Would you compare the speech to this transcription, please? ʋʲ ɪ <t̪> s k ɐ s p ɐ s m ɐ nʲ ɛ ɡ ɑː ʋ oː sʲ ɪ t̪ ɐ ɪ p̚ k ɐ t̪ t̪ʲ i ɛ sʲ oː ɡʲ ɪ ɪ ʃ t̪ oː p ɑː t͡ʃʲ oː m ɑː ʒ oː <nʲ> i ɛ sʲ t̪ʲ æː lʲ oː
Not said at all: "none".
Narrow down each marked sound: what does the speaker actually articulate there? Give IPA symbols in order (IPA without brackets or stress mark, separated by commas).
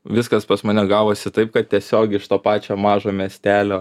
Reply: none, mʲ